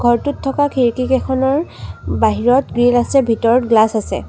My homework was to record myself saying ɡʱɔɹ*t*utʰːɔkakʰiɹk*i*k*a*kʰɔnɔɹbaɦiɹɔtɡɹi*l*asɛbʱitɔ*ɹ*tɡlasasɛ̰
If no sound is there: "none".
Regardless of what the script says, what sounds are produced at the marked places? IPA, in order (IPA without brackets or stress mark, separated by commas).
t, i, ɛ, l, ɹ